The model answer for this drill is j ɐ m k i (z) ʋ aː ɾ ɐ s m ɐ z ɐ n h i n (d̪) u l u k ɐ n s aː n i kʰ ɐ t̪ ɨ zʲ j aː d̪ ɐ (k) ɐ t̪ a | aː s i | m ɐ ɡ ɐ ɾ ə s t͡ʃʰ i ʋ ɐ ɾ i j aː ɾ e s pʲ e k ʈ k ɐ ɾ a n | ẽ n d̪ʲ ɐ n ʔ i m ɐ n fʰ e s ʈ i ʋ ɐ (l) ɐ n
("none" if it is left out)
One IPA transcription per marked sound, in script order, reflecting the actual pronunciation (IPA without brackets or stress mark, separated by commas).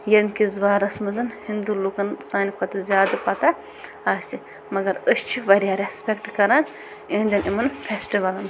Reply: z, d̪, p, l